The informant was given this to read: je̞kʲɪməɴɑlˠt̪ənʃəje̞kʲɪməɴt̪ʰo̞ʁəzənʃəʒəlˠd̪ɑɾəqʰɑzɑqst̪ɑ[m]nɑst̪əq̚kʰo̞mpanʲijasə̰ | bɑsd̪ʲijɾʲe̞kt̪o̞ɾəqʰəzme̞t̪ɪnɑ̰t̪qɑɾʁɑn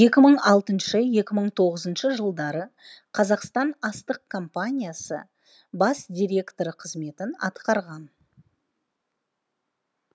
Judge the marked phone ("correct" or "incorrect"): incorrect